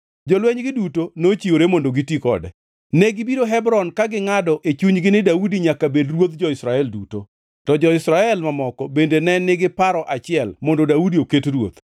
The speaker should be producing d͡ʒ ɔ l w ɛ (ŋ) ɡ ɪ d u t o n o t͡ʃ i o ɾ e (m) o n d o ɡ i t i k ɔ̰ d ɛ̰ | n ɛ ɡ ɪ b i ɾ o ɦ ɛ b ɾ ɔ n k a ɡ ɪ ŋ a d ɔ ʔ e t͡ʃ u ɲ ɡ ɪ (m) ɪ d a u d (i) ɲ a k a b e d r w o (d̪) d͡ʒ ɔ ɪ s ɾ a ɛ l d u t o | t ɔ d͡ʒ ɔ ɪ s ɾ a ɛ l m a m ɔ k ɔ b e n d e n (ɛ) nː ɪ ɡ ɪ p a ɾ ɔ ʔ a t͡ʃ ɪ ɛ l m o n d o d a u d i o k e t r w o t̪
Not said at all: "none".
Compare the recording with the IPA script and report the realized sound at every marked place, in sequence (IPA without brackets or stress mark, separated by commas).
ɲ, m, n, i, t̪, ɛ